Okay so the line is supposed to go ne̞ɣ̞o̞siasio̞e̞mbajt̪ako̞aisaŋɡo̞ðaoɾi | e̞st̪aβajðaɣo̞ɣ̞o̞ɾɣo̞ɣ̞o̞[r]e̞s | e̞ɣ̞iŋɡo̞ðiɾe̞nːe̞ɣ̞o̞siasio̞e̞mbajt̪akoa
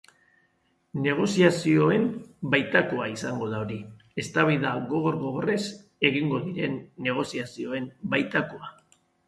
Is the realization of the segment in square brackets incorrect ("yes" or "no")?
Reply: no